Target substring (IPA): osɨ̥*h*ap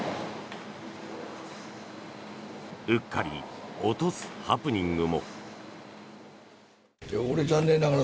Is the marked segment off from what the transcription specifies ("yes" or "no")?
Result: no